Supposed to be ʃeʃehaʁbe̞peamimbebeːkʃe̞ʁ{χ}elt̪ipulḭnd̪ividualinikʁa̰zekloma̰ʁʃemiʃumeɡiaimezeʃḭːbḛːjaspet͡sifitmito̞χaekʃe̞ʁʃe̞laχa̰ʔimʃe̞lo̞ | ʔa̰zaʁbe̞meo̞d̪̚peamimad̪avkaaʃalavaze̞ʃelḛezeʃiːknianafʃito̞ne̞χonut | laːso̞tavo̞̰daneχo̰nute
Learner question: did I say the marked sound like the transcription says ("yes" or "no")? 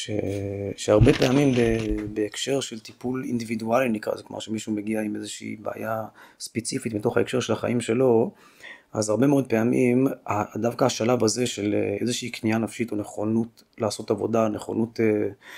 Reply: no